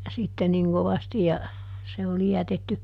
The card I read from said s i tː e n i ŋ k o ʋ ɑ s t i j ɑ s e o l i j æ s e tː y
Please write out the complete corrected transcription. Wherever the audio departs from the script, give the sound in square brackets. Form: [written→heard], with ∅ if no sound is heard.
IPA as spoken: s i tː e n i ŋ k o ʋ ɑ s t i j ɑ s e o l i j æ [s→t] e tː y